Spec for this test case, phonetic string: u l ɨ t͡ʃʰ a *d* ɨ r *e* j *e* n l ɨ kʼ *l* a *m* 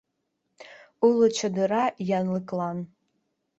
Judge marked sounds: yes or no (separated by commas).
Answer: yes, no, no, yes, no